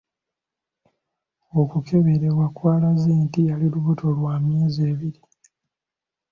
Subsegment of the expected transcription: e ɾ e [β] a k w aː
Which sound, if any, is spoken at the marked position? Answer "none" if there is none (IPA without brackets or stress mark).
w